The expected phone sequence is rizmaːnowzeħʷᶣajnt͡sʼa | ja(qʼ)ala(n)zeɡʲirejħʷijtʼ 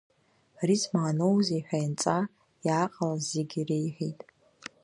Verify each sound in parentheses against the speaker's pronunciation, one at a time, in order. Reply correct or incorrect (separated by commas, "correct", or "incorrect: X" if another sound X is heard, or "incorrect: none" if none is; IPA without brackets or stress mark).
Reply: correct, incorrect: none